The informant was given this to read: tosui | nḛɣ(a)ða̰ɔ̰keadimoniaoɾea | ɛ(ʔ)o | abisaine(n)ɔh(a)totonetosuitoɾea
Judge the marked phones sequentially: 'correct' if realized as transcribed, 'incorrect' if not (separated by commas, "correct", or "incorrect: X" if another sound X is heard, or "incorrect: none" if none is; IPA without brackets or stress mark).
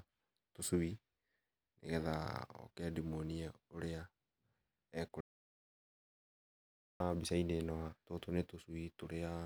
incorrect: ɛ, incorrect: k, correct, correct